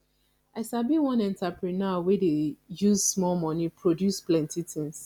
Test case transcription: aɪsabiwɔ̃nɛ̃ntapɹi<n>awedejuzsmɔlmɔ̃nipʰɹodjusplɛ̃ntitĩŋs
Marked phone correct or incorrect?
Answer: correct